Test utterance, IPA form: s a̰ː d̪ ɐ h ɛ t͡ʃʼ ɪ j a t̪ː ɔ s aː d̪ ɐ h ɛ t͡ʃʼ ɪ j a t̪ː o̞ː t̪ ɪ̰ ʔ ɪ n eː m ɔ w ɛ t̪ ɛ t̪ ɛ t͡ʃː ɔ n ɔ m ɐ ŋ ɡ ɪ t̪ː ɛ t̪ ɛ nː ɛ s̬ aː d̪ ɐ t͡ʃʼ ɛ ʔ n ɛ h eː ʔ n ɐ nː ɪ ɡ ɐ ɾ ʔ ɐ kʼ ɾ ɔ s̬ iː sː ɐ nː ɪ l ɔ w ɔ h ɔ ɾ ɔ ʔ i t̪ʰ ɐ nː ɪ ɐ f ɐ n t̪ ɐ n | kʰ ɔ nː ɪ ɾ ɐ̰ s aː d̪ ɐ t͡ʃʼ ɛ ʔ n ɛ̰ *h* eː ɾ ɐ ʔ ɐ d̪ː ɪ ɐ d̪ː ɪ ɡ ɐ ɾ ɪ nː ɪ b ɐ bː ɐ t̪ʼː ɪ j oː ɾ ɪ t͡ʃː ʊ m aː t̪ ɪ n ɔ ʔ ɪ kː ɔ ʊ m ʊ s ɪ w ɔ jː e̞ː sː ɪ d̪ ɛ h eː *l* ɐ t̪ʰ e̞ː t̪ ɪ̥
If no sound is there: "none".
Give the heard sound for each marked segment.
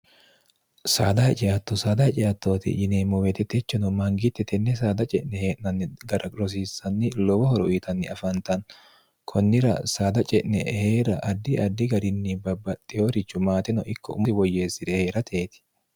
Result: h, ɾ

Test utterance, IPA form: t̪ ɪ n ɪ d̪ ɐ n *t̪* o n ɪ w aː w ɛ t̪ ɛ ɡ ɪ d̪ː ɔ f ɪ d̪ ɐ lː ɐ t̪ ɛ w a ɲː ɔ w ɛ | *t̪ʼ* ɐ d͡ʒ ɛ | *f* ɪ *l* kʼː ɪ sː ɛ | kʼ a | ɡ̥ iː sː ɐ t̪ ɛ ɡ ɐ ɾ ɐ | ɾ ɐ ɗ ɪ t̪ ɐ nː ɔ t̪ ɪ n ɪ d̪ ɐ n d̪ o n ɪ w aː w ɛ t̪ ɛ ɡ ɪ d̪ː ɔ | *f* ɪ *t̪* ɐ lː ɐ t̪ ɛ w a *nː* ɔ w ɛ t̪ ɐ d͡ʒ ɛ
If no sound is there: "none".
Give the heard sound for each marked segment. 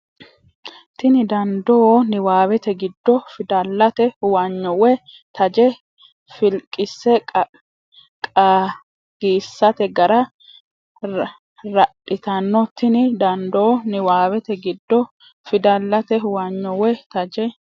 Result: d̪, t̪, f, l, f, d̪, ɲː

